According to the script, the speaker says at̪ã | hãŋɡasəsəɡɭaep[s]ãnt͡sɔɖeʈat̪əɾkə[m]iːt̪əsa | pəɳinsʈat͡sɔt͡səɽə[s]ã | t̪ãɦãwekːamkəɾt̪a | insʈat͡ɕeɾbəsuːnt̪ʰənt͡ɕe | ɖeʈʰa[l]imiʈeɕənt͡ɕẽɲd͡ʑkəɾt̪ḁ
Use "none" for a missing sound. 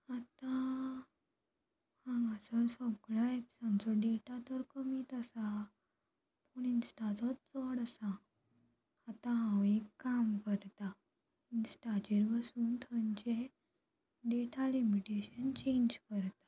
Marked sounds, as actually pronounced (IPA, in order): s, m, s, l

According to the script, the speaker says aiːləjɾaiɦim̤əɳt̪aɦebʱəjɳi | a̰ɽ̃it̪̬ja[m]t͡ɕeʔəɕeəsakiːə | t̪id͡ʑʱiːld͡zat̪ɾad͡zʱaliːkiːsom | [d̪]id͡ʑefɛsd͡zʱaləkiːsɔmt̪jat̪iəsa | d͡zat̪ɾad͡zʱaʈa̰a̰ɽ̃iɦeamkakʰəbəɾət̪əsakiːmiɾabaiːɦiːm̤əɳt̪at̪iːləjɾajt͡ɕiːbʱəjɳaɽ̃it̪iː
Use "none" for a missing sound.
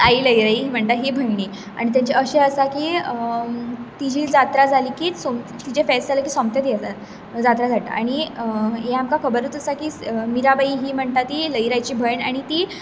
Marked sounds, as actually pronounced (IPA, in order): ɲ, t̪

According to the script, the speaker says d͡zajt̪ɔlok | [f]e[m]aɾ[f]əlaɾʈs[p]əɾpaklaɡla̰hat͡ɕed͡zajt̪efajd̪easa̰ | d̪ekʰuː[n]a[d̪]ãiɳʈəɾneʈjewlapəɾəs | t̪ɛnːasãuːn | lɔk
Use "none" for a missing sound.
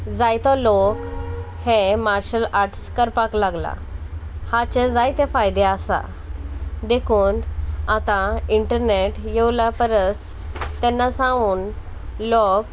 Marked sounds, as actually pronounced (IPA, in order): h, m, ɕ, k, n, t̪

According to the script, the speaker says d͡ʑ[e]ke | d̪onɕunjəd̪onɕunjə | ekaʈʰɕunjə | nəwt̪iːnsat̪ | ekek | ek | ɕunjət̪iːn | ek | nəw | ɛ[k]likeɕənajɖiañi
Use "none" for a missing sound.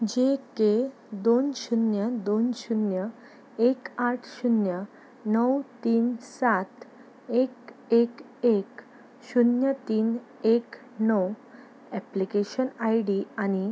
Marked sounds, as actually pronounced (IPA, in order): e, p

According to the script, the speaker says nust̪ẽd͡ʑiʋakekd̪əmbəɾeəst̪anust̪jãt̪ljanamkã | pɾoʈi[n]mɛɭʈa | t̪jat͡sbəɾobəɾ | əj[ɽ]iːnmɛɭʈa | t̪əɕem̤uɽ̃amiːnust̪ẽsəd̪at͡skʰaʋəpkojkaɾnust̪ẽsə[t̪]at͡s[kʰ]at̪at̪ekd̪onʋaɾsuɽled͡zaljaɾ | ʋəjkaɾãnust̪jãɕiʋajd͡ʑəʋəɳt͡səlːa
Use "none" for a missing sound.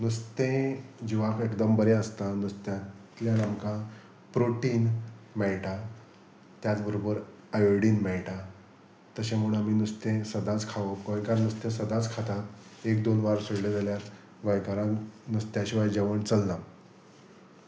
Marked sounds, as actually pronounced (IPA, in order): n, ɽ, d̪, kʰ

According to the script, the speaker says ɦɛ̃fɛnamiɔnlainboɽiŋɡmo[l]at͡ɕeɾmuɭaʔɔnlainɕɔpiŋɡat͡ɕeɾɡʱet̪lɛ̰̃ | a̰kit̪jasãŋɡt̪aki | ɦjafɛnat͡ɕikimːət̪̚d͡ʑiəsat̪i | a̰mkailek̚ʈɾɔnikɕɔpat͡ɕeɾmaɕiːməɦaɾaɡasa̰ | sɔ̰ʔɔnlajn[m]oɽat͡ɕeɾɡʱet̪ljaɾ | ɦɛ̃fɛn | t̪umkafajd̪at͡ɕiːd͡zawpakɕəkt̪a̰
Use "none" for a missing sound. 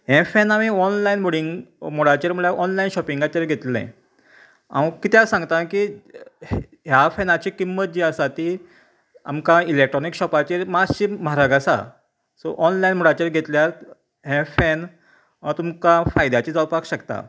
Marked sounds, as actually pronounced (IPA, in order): ɽ, m

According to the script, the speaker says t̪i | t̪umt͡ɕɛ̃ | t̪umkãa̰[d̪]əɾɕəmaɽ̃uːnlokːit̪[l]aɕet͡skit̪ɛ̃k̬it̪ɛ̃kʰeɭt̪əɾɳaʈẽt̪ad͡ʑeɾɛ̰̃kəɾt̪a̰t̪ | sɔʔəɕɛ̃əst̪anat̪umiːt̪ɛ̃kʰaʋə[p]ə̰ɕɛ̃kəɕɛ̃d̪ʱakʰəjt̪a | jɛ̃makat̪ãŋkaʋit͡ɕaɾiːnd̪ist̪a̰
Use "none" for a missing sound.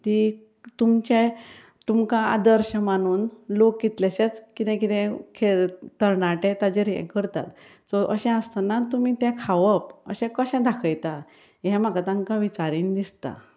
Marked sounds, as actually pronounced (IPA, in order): d̪, l, p

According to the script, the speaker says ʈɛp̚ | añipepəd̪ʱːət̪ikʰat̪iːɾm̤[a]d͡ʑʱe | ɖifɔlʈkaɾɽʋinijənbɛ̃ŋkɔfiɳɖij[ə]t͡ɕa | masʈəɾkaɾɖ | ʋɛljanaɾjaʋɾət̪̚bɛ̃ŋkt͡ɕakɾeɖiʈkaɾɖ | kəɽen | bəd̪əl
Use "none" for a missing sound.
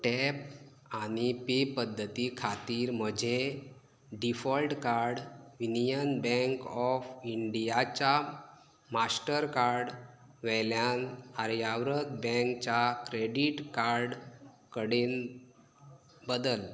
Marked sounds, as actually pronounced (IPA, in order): ə, a

